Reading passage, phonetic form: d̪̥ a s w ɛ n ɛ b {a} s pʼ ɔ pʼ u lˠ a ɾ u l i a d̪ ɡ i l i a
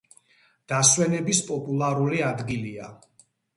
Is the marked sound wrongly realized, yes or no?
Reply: yes